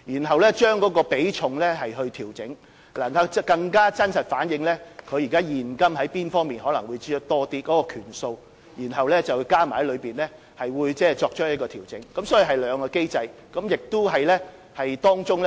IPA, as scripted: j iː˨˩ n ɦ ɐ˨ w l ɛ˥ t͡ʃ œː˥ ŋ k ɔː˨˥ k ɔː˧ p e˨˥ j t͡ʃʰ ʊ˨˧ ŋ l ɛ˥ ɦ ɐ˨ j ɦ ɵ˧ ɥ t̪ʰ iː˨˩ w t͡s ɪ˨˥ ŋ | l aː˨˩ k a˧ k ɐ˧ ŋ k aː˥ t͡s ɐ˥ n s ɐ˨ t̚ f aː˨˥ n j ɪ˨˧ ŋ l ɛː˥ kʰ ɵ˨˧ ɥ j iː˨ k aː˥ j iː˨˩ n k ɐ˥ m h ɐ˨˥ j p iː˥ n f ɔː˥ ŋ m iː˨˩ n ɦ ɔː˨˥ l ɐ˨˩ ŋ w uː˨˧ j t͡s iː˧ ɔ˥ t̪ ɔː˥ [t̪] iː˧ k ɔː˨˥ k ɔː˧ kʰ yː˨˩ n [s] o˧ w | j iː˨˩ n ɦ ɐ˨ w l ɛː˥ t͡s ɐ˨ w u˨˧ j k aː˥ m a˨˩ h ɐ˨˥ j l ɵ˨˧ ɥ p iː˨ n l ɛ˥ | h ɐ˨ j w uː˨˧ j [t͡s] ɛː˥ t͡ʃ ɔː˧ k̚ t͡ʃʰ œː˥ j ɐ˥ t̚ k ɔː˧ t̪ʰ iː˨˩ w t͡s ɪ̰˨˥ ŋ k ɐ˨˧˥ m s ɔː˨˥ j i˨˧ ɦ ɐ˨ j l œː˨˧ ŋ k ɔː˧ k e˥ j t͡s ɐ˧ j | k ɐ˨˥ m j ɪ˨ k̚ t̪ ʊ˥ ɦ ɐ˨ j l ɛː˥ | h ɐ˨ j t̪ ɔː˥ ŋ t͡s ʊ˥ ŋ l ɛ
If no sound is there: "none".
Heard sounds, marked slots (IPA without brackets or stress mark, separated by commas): t̪, s, t͡s